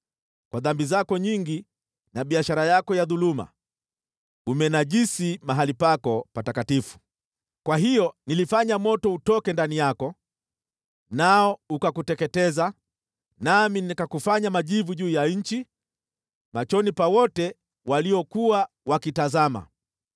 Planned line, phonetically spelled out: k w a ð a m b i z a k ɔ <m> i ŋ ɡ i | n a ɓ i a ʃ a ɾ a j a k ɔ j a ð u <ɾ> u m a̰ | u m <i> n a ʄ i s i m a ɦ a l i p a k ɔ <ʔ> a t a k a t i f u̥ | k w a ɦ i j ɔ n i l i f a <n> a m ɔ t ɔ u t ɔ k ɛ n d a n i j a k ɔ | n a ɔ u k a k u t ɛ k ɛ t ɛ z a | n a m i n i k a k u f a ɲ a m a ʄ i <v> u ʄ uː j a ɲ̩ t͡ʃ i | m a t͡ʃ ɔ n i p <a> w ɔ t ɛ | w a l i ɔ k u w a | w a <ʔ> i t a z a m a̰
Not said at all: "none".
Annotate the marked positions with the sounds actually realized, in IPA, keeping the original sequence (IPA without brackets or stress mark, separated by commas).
ɲ, l, ɛ, p, ɲ, v, a, k